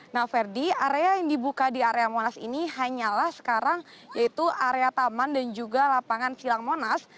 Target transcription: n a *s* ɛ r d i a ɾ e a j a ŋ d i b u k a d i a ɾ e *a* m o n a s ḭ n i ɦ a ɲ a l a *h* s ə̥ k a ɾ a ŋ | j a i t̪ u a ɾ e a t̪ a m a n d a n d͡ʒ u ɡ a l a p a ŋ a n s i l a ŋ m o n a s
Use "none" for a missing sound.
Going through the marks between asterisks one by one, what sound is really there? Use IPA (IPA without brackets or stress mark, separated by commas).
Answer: f, a, h